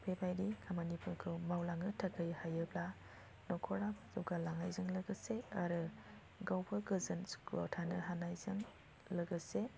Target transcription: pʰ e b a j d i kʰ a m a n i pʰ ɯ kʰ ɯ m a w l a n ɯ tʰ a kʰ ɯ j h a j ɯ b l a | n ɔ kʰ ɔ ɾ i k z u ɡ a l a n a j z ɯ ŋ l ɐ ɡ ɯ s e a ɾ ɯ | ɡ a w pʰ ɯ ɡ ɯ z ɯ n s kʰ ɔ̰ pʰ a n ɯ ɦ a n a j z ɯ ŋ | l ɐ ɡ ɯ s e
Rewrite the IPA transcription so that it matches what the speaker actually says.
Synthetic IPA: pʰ e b a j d i kʰ a m a n i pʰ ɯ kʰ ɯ m a w l a ŋ ɯ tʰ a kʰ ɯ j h a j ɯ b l a | n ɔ kʰ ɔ ɾ a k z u ɡ a l a ŋ a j z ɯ ŋ l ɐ ɡ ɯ s e a ɾ ɯ | ɡ a w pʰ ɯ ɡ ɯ z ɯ n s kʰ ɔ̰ tʰ a n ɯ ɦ a n a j z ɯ ŋ | l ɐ ɡ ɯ s e